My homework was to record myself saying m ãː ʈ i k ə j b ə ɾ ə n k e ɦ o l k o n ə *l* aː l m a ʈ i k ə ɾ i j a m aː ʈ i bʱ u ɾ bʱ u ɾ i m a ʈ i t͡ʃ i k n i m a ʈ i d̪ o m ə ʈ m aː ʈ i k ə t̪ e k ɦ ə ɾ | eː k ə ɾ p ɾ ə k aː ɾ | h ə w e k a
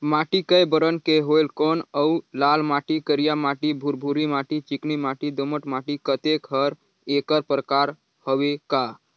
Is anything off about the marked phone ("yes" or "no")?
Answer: no